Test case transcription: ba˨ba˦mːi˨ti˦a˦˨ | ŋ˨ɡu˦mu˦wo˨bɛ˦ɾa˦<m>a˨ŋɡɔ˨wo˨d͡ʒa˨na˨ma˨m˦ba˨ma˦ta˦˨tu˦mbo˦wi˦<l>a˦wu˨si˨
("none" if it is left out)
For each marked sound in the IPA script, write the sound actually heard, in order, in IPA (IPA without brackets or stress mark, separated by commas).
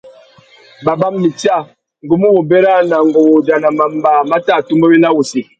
n, l